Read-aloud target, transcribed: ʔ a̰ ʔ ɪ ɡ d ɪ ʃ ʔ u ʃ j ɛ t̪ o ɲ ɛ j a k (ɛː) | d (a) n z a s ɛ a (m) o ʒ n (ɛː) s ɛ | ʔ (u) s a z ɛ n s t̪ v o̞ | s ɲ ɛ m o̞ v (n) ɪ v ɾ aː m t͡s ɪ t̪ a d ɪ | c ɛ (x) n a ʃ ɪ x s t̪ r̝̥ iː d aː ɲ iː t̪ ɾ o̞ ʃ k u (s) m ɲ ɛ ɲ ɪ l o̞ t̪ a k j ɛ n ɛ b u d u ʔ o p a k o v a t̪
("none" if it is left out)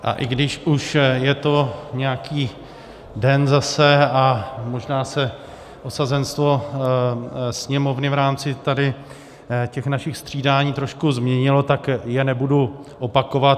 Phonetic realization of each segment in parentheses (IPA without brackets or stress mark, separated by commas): iː, ɛ, m, aː, o, n, x, z